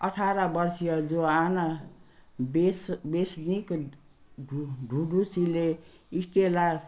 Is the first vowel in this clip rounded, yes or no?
no